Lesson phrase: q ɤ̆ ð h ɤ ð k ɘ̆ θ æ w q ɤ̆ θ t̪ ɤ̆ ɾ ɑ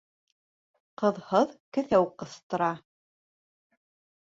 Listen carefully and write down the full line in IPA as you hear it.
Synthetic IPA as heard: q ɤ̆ ð h ɤ ð k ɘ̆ θ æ w q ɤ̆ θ t̪ ɤ̆ ɾ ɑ